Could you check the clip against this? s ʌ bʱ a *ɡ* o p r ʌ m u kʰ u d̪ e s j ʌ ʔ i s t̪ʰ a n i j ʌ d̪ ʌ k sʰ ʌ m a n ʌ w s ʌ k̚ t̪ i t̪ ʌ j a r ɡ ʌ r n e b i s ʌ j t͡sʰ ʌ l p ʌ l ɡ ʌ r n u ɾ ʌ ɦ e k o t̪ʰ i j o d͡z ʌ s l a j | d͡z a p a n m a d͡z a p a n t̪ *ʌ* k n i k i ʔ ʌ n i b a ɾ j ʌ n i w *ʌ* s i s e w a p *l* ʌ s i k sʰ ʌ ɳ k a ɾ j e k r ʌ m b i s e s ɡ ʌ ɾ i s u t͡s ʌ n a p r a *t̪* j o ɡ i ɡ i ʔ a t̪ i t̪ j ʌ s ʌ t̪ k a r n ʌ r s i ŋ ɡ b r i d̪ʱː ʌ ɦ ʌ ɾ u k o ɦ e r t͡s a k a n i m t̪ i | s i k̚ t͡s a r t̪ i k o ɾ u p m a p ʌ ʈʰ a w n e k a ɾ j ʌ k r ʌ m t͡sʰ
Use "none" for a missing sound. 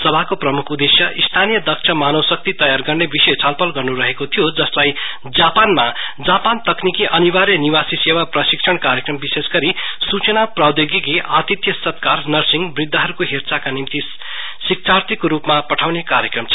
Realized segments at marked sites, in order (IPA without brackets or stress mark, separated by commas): k, ʌ, a, r, d̪